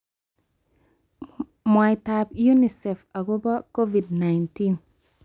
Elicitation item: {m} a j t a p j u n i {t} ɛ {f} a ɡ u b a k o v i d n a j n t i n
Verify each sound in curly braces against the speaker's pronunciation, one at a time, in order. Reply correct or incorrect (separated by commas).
correct, incorrect, correct